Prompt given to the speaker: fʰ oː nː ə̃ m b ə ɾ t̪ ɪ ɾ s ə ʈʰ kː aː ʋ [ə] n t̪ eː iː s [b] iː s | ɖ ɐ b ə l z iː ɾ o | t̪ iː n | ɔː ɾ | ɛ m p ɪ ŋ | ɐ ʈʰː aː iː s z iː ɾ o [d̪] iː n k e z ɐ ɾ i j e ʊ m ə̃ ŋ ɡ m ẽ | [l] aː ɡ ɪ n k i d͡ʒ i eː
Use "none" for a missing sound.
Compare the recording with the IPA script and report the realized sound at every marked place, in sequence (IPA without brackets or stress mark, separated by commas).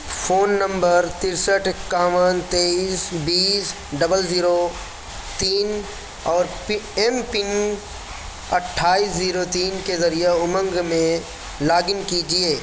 ə, b, t̪, l